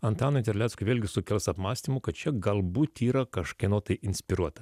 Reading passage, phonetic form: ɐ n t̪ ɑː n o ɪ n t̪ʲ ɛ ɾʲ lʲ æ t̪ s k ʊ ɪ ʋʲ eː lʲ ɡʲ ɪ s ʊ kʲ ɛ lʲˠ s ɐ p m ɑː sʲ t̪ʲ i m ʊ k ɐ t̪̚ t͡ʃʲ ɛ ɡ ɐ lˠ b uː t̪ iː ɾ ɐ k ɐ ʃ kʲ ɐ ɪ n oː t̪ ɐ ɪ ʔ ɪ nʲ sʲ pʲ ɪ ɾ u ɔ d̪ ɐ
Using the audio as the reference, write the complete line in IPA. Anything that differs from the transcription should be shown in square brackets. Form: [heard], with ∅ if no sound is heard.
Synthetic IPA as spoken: ɐ n t̪ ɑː n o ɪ n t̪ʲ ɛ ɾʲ lʲ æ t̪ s k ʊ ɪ ʋʲ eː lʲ ɡʲ ɪ s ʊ kʲ ɛ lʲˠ s ɐ p m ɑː sʲ t̪ʲ i m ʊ k ɐ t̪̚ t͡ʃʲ ɛ ɡ ɐ lˠ b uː t̪ iː ɾ ɐ k ɐ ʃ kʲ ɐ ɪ n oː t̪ ɐ ɪ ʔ ɪ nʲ sʲ pʲ ɪ ɾ u ɔ [t̪] ɐ